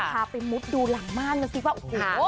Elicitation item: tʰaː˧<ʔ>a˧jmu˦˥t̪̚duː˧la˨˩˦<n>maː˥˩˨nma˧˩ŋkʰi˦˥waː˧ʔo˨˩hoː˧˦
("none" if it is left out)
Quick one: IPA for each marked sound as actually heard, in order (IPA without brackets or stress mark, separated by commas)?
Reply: p, ŋ